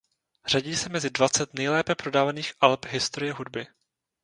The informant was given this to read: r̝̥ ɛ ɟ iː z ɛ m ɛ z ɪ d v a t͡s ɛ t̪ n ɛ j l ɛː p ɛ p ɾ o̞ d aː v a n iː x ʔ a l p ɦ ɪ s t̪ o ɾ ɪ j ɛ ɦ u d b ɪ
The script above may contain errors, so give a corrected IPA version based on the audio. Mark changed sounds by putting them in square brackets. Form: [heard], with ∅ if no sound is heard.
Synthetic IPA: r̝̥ [a] ɟ iː [s] ɛ m ɛ z ɪ d v a t͡s ɛ t̪ n ɛ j l ɛː p ɛ p ɾ o̞ d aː v a n iː x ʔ a l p ɦ ɪ s t̪ o ɾ ɪ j ɛ ɦ u d b ɪ